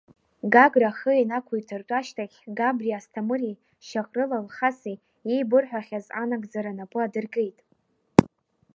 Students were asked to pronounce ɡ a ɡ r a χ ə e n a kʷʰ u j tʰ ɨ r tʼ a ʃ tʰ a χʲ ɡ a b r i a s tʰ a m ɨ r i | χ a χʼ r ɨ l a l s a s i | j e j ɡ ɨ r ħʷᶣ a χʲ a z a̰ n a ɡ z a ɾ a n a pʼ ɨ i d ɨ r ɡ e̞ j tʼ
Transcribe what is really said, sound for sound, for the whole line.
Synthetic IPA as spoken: ɡ a ɡ r a χ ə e n a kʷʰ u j tʰ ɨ r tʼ a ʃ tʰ a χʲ ɡ a b r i a s tʰ a m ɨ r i | ʃ a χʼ r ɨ l a l χ a s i | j e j b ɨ r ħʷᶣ a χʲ a z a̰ n a ɡ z a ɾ a n a pʼ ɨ a d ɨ r ɡ e̞ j tʼ